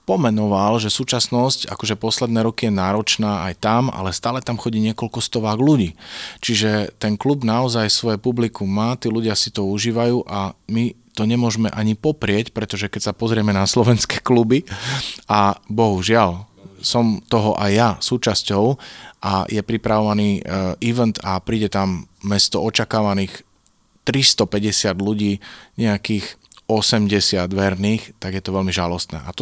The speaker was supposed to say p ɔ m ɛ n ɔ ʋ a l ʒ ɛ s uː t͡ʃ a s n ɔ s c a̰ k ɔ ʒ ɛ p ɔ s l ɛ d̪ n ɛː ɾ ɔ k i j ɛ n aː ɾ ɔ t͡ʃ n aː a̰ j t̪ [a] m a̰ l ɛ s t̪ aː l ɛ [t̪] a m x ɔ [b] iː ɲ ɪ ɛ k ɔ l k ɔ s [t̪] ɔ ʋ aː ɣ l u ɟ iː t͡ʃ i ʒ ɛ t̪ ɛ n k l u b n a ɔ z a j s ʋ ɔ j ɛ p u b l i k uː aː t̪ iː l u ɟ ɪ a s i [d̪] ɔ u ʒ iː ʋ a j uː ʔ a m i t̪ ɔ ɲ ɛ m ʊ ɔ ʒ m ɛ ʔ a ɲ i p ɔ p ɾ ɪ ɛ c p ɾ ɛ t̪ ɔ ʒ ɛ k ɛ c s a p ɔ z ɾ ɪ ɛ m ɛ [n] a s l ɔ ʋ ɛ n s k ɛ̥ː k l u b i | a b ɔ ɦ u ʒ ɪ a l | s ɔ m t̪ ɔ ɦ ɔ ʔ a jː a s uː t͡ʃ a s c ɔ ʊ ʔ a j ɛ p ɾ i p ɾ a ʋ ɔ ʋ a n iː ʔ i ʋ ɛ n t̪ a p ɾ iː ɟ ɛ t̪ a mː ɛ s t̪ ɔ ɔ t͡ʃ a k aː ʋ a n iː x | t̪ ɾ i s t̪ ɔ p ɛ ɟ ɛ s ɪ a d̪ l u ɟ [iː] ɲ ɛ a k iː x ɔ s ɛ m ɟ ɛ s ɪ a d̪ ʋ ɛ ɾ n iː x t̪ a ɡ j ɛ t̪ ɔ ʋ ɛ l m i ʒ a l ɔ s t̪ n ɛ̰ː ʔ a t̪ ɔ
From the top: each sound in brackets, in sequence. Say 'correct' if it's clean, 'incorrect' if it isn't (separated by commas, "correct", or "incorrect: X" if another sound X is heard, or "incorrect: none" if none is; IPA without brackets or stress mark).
correct, correct, incorrect: ɟ, correct, incorrect: t̪, correct, correct